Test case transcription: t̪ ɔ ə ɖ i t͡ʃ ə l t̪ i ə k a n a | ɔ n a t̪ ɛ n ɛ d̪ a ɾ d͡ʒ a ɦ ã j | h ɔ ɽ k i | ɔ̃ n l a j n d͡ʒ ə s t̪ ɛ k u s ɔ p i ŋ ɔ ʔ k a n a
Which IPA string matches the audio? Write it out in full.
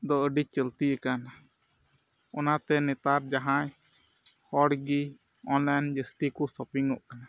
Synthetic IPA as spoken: d̪ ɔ ə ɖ i t͡ʃ ə l t̪ i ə k a n a | ɔ n a t̪ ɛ n ɛ t̪ a ɾ d͡ʒ a ɦ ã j | h ɔ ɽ ɡ i | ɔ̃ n l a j n d͡ʒ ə s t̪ i k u s ɔ p i ŋ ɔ ʔ k a n a